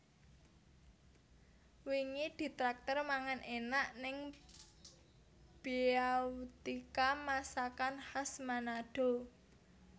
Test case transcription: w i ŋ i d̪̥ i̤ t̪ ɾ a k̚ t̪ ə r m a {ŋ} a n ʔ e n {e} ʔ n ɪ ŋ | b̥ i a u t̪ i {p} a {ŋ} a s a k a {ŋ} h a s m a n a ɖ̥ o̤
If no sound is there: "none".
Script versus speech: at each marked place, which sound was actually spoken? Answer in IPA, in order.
ŋ, a, k, m, n

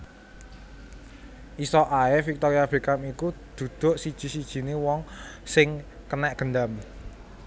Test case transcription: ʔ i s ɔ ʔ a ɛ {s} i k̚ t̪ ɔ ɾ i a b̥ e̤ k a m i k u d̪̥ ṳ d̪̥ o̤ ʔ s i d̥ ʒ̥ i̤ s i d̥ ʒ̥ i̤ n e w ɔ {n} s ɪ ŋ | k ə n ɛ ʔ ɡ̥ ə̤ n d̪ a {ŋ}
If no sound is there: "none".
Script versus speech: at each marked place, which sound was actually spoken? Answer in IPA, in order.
f, ŋ, m

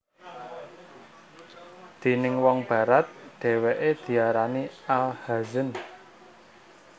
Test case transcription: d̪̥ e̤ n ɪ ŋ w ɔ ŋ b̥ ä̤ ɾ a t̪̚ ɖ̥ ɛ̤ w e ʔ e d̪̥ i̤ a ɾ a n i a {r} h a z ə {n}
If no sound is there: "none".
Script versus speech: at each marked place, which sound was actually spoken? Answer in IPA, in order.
l, n

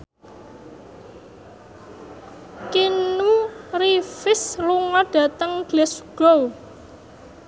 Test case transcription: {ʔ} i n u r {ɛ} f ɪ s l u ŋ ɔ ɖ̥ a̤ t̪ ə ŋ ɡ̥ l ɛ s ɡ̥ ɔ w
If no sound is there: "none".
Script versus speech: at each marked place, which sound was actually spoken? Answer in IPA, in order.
k, i

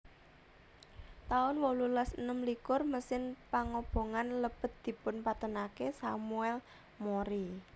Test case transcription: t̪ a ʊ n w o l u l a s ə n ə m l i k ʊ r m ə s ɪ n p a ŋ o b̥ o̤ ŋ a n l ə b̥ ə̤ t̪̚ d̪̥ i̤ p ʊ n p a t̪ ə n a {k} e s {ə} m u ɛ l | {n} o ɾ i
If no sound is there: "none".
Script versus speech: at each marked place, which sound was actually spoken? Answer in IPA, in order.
k, a, m

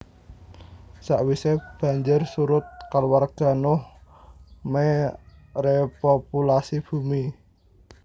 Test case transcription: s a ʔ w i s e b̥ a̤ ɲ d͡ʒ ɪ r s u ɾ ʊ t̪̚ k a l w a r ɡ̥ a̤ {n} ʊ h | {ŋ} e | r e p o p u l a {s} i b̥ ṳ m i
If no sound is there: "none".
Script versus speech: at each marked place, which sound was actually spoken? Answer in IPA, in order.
n, m, s

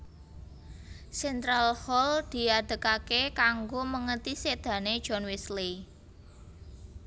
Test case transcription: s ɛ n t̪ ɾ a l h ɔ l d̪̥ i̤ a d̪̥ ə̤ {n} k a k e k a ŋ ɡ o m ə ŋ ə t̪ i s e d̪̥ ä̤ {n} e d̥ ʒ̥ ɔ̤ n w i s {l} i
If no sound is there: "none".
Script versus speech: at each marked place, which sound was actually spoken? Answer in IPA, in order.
none, n, l

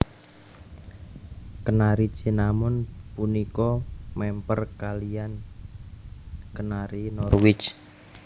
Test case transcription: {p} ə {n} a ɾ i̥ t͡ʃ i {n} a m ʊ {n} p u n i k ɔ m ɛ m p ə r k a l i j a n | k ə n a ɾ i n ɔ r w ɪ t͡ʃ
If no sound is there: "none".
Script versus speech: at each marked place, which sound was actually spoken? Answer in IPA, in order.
k, n, n, n

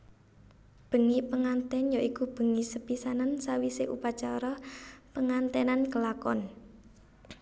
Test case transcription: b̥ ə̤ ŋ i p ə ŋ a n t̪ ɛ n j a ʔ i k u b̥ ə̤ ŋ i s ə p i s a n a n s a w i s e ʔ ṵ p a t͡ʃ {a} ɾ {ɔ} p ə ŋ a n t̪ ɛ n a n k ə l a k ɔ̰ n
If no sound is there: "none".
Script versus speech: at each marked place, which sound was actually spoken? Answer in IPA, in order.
a, ɔ

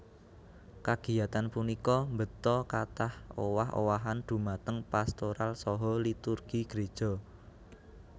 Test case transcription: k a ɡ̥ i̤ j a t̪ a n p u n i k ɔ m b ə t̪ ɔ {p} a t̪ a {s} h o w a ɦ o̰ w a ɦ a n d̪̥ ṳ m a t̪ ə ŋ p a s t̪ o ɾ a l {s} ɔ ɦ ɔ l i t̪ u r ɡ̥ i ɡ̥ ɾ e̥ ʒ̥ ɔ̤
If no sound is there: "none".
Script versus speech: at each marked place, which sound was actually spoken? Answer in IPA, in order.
k, none, s

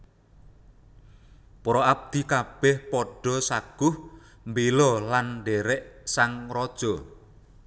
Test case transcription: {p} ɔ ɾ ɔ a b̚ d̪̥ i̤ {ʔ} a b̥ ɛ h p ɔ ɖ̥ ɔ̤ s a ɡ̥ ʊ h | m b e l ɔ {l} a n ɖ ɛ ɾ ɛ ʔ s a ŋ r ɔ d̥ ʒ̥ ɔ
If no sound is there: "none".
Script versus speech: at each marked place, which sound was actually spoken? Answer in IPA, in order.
p, k, l

